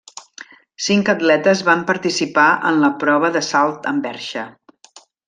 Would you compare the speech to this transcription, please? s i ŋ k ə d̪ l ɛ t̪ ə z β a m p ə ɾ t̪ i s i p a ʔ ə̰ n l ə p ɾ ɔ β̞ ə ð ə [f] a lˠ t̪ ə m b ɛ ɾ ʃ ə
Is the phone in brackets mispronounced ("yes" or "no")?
yes